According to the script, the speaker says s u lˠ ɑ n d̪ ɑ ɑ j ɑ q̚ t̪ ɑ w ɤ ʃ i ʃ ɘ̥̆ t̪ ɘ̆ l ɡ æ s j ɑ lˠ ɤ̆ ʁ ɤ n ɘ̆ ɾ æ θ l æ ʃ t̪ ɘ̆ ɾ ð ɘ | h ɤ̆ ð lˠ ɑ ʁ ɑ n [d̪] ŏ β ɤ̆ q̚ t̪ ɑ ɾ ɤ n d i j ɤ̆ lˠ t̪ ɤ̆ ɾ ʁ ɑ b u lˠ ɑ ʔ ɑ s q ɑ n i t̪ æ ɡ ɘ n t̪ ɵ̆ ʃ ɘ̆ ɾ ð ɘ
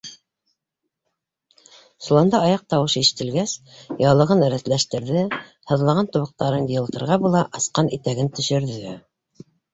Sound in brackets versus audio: incorrect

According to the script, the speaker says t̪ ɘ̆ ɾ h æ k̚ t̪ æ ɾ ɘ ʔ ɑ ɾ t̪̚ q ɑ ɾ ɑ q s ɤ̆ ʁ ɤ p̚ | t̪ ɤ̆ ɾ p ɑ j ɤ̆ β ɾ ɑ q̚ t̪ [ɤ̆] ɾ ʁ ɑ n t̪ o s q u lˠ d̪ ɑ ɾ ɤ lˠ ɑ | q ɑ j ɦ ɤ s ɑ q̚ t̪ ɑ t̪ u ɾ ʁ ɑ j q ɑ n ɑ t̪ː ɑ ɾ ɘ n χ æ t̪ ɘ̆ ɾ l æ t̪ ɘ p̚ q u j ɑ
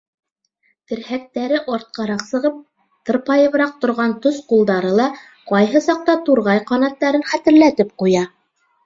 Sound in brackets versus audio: incorrect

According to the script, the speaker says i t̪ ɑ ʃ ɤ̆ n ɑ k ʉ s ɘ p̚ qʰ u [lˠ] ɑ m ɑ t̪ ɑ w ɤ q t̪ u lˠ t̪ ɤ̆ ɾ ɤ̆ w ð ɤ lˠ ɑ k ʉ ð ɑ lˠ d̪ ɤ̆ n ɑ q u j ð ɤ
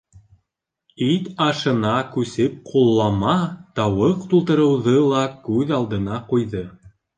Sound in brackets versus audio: incorrect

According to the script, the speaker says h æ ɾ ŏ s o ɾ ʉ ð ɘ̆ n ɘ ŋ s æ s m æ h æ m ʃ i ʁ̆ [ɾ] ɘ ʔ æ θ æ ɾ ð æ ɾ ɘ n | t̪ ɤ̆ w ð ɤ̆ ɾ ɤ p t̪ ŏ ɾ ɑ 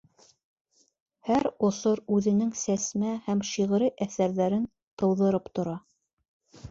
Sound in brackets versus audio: correct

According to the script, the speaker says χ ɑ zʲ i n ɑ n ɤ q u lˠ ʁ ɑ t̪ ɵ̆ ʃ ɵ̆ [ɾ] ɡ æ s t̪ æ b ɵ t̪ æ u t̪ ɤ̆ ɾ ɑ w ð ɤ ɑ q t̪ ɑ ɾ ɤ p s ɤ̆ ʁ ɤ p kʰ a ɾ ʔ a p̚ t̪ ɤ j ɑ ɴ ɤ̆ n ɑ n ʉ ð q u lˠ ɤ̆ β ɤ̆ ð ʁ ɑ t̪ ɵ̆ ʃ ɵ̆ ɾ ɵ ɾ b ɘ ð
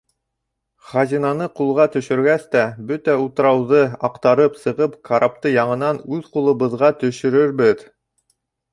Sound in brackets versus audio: correct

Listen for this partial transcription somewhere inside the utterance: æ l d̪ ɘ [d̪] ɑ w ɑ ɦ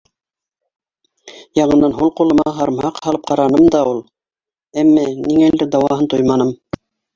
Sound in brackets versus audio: correct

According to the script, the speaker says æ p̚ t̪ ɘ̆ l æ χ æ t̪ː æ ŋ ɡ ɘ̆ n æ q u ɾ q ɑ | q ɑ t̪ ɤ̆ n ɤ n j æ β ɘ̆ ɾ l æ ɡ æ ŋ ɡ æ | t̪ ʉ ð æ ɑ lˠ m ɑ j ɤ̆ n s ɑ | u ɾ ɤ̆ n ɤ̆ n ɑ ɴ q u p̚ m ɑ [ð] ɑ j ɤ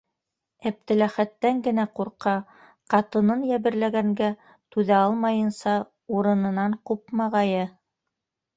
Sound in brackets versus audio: incorrect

